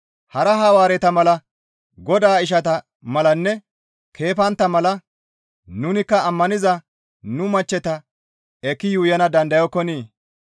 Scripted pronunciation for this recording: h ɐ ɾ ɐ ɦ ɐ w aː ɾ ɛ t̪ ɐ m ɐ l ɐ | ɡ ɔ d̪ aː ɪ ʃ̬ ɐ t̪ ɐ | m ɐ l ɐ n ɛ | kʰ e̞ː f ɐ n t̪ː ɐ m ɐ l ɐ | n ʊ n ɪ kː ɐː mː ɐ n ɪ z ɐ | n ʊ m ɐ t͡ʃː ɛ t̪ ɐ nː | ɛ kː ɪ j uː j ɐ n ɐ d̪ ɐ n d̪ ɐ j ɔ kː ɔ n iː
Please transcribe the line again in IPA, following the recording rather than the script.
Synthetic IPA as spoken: h ɐ ɾ ɐ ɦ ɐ w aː ɾ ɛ t̪ ɐ m ɐ l ɐ | ɡ ɔ d̪ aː ɪ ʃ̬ ɐ t̪ ɐ | m ɐ l ɐ nː ɛ | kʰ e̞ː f ɐ n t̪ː ɐ m ɐ l ɐ | n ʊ n ɪ kː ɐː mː ɐ n ɪ z ɐ | n ʊ m ɐ t͡ʃː ɛ t̪ ɐ | ɛ kː ɪ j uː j ɐ n ɐ d̪ ɐ n d̪ ɐ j ɔ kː ɔ n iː